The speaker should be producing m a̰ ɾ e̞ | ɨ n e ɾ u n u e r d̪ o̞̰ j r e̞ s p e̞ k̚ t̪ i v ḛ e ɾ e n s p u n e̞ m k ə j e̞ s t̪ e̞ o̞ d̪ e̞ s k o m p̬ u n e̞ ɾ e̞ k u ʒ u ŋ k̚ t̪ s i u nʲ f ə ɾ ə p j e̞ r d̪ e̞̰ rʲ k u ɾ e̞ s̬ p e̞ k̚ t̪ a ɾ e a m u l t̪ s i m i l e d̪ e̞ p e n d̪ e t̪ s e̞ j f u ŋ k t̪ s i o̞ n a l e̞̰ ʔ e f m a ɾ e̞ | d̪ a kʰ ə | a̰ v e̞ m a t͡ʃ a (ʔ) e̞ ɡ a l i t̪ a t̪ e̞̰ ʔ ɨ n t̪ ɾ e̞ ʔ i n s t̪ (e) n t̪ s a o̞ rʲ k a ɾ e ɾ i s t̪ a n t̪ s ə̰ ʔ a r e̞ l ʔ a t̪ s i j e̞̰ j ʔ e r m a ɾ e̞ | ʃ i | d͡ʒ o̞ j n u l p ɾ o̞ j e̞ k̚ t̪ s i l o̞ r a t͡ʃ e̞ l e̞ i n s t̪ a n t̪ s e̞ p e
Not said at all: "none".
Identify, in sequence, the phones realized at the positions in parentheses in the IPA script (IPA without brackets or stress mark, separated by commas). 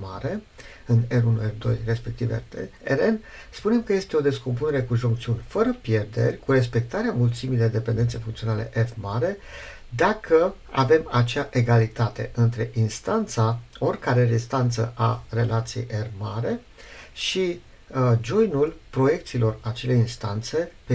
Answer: ʔ, a